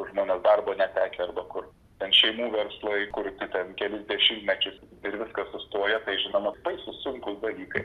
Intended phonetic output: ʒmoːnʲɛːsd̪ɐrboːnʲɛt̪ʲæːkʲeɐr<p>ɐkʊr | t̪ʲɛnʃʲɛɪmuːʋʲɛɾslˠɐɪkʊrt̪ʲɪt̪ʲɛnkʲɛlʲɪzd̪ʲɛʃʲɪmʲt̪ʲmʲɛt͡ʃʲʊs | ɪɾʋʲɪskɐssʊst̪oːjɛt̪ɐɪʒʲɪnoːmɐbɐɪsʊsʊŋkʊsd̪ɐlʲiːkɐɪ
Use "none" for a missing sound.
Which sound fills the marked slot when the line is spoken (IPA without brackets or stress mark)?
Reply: b